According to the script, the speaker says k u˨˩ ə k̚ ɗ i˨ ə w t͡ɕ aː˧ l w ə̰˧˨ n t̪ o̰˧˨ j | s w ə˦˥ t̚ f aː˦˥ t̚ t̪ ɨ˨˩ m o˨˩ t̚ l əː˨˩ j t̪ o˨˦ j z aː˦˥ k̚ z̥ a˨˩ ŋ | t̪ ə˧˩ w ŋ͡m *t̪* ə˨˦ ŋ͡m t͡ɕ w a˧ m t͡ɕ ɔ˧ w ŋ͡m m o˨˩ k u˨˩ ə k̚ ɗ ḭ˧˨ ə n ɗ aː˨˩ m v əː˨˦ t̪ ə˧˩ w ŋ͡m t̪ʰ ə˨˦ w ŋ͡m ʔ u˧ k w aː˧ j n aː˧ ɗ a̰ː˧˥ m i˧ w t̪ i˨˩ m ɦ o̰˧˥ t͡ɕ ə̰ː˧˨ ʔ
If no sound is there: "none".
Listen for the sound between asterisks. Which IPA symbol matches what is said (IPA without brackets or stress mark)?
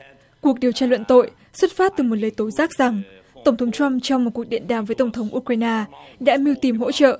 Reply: t̪ʰ